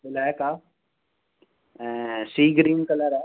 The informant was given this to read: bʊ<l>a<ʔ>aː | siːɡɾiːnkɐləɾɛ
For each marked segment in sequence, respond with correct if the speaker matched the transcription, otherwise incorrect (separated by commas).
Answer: correct, incorrect